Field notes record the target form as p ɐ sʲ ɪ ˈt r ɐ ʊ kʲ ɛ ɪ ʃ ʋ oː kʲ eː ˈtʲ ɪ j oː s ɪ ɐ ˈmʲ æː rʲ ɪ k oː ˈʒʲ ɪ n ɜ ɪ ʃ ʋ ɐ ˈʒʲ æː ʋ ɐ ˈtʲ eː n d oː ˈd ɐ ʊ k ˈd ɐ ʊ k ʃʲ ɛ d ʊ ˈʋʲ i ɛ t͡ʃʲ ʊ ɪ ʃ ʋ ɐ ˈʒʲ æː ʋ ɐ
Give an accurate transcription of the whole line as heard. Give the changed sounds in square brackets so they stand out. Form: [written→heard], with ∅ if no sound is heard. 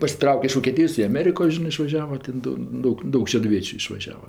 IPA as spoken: p ɐ sʲ ɪ ˈt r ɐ ʊ kʲ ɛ ɪ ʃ ʋ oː kʲ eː ˈtʲ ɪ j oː s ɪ ɐ ˈmʲ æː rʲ ɪ k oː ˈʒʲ ɪ n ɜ ɪ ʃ ʋ ɐ ˈʒʲ æː ʋ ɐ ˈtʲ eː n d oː ˈd ɐ ʊ k ˈd ɐ ʊ k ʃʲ ɛ d ʊ ˈʋʲ i ɛ t͡ʃʲ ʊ ɪ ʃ ʋ ɐ ˈʒʲ æː ʋ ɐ